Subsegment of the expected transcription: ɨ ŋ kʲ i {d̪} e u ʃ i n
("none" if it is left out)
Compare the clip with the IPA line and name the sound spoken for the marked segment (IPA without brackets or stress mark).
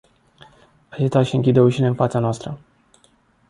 d̪